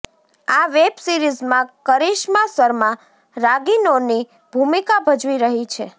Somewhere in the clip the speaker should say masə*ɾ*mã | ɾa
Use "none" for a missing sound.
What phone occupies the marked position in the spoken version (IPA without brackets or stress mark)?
ɾ